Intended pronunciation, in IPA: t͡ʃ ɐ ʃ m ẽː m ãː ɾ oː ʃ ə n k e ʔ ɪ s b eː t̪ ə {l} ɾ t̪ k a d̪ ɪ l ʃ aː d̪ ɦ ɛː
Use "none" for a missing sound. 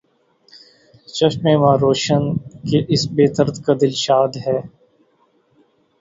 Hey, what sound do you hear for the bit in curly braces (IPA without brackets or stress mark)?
none